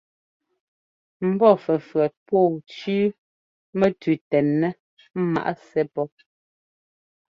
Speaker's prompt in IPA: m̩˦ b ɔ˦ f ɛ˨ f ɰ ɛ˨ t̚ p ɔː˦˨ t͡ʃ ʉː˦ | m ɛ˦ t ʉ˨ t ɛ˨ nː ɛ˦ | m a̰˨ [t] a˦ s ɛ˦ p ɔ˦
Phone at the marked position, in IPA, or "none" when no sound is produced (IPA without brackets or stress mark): ʔ